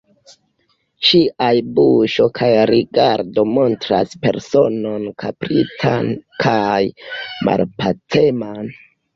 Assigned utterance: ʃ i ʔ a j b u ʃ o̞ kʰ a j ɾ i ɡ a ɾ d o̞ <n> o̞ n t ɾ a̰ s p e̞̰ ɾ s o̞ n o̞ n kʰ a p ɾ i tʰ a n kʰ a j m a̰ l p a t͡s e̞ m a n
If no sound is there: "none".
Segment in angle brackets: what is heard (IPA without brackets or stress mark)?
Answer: m